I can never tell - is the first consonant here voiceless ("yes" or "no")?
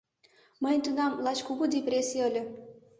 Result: no